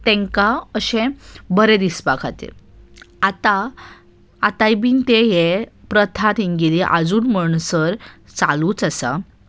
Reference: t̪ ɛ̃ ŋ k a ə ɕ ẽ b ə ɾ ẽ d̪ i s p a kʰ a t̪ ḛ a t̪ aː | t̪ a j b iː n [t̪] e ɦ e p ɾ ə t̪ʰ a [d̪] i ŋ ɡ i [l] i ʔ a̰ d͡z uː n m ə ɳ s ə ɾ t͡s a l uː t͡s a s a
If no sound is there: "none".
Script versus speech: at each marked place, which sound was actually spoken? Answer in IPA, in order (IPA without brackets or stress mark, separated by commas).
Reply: t̪, t̪, l